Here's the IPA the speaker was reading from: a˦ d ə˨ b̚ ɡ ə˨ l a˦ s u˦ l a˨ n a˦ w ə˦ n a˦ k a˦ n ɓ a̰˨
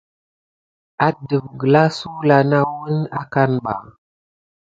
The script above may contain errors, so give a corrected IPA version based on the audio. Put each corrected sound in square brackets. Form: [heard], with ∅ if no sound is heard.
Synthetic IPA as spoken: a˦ d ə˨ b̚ ɡ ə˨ l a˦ s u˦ l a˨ n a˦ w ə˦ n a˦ k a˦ n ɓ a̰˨